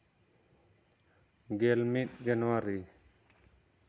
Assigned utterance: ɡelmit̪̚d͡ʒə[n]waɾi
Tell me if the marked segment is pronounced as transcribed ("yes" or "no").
yes